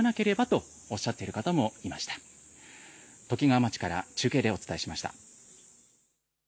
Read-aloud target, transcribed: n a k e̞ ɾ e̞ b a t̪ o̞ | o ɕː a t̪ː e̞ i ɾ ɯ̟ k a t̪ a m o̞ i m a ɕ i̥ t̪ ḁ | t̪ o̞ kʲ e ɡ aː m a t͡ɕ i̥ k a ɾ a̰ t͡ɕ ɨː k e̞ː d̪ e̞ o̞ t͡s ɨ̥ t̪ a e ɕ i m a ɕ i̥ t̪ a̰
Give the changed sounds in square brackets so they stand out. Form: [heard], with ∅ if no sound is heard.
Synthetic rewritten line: n a k e̞ ɾ e̞ b a t̪ o̞ | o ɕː a t̪ː e̞ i ɾ ɯ̟ k a t̪ a m o̞ i m a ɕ i̥ t̪ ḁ | t̪ o̞ kʲ [i] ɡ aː m a t͡ɕ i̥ k a ɾ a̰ t͡ɕ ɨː k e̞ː d̪ e̞ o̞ t͡s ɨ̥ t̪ a e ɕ i m a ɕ i̥ t̪ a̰

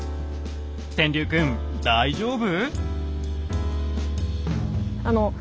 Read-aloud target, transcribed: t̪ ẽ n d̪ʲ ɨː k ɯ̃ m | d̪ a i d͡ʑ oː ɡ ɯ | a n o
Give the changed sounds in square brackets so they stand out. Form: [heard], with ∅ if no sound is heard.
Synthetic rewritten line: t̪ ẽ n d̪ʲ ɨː k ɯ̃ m | d̪ a i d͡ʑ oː [b] ɯ | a n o

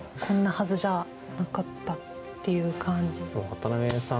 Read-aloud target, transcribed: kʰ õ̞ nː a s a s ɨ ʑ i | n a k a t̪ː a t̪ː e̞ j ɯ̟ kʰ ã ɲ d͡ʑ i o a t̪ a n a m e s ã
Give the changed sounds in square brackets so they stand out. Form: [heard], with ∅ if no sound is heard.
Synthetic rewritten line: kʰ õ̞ nː a [h] a [z] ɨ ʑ [a] | n a k a t̪ː a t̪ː e̞ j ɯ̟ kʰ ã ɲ d͡ʑ i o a t̪ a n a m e s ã

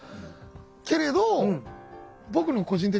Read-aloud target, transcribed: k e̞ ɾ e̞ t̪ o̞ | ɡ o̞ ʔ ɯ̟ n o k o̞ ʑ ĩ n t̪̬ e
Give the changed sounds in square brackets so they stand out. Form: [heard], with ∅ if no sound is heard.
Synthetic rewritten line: k e̞ ɾ e̞ [d̪] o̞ | [b] o̞ [k] ɯ̟ n o k o̞ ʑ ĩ n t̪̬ e

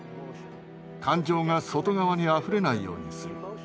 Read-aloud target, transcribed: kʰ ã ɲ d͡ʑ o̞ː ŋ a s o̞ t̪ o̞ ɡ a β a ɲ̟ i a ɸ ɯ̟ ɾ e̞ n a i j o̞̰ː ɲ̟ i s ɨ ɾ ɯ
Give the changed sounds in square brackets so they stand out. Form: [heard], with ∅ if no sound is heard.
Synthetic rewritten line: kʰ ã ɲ d͡ʑ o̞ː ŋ a s o̞ t̪ o̞ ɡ a β a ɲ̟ i a ɸ ɯ̟ ɾ e̞ n a i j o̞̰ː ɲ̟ i s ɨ ɾ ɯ

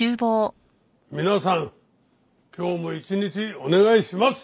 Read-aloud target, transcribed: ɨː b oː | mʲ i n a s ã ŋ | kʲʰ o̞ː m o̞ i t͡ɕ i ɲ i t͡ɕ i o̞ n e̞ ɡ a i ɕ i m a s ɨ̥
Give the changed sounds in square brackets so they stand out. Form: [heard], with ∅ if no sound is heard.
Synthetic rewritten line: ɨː b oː | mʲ i n a s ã ŋ | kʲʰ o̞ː m o̞ i t͡ɕ i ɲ i t͡ɕ i o̞ n e̞ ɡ a i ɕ i m a s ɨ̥

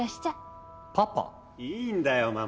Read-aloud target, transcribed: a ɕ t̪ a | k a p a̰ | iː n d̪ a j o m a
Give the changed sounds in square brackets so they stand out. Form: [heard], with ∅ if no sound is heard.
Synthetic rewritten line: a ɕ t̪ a | [p] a p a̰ | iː n d̪ a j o m a

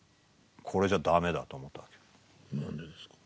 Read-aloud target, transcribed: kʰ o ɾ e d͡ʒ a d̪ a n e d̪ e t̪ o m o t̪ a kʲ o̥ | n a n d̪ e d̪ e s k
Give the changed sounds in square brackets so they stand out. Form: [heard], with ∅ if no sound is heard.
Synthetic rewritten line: kʰ o ɾ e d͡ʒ a d̪ a [m] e d̪ [a] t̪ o m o t̪ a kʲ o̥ | n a n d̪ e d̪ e s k

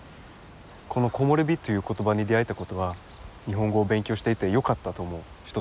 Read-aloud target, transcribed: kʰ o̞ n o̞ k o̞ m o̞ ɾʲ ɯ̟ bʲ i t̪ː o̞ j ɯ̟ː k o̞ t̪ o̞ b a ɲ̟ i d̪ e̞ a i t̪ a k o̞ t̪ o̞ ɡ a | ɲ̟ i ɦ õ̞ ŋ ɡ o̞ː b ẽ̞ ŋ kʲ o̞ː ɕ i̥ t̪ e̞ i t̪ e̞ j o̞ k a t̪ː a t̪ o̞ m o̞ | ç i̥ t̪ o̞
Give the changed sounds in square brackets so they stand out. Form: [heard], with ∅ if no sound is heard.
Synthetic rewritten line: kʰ o̞ n o̞ k o̞ m o̞ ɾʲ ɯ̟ bʲ i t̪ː o̞ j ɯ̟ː k o̞ t̪ o̞ b a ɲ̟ i d̪ e̞ a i t̪ a k o̞ t̪ o̞ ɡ a | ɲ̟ i ɦ õ̞ ŋ ɡ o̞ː b ẽ̞ ŋ kʲ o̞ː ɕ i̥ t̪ e̞ i t̪ e̞ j o̞ k a t̪ː a t̪ o̞ m o̞ | ç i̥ t̪ o̞

